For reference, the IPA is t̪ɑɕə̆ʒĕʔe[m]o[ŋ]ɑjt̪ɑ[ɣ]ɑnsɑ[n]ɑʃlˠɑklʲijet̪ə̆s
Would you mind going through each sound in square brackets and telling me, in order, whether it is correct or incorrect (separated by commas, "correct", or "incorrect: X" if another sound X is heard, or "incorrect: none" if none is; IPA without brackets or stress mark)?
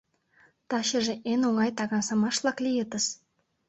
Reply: incorrect: n, correct, correct, incorrect: m